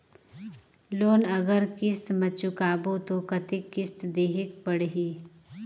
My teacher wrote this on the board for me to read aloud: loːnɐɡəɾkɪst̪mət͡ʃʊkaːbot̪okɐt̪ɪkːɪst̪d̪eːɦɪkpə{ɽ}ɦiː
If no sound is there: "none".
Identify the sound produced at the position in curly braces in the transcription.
ɽ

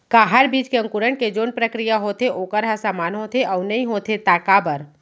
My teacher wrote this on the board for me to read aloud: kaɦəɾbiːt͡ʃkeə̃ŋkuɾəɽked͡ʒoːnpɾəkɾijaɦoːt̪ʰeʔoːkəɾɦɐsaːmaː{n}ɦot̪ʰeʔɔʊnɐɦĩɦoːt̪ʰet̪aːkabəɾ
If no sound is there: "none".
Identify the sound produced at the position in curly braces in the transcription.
n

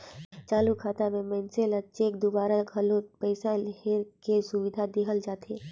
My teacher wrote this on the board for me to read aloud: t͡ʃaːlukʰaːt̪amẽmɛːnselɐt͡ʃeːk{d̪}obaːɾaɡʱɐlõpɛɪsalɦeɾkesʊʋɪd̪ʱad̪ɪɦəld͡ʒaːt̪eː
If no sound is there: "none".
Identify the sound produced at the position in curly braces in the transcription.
d̪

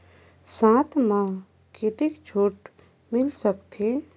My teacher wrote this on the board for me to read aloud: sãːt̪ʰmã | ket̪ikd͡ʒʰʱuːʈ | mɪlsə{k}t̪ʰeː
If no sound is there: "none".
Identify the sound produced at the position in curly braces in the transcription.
k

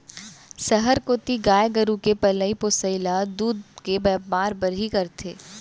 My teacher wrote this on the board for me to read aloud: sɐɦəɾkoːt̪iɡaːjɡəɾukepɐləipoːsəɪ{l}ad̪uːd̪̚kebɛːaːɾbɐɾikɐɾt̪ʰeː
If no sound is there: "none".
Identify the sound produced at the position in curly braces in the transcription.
l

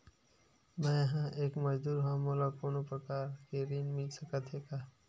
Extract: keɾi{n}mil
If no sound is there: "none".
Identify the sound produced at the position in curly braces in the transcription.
n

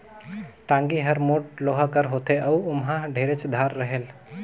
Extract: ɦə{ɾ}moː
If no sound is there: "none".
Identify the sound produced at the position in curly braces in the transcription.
ɾ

